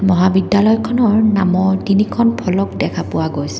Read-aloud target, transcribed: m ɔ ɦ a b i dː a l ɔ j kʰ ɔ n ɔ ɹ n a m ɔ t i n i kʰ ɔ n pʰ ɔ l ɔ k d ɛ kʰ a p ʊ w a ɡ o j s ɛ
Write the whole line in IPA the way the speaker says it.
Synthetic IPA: m ɔ ɦ a b i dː a l ɔ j kʰ ɔ n ɔ ɹ n a m ɔ t i n i kʰ ɔ n pʰ ɔ l ɔ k d ɛ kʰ a p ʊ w a ɡ o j s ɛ